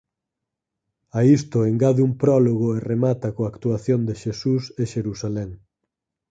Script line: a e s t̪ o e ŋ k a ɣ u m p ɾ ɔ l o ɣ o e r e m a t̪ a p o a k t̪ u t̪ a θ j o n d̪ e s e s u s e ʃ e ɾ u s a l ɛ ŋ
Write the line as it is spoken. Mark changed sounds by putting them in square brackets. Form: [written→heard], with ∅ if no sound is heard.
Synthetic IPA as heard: a [e→i] s t̪ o e ŋ [k→ɡ] a [ɣ→ð] u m p ɾ ɔ l o ɣ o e r e m a t̪ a [p→k] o a k t̪ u [t̪→∅] a θ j o n d̪ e [s→ʃ] e s u s e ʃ e ɾ u s a l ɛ ŋ